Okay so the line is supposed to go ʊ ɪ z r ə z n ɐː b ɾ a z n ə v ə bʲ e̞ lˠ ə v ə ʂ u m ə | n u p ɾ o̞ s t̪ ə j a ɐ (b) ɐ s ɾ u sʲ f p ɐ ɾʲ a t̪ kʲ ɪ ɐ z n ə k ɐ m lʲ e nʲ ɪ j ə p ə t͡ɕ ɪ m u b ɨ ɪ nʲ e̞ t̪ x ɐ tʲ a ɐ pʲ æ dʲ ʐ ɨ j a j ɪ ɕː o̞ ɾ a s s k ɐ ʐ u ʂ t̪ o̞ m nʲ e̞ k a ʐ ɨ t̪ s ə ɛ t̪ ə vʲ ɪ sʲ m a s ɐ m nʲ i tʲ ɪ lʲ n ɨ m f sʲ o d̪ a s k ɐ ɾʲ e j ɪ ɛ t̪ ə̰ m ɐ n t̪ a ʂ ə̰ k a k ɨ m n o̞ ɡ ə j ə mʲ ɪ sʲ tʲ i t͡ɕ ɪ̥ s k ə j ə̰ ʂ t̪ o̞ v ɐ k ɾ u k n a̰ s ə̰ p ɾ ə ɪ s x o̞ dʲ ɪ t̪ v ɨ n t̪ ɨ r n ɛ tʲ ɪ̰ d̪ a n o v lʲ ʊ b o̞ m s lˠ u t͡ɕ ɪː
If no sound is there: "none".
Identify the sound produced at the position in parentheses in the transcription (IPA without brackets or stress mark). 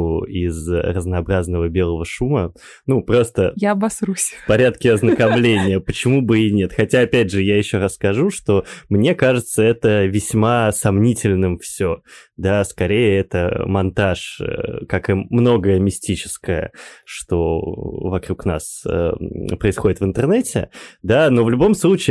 b